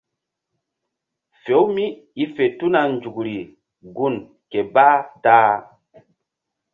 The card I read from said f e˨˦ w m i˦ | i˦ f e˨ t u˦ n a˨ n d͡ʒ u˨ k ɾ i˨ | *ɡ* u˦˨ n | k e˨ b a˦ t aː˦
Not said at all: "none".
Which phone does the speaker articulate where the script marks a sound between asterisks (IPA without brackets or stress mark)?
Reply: ɡ